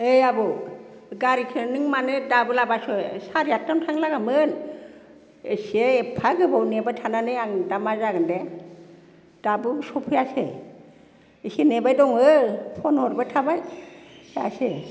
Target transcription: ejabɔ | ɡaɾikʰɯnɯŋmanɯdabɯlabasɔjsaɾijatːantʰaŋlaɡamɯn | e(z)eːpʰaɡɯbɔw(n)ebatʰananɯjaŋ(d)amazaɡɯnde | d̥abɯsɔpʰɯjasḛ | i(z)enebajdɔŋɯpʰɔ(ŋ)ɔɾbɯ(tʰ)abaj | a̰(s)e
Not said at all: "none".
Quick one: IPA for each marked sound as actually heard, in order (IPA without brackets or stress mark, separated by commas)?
s, n, d, s, n, tʰ, s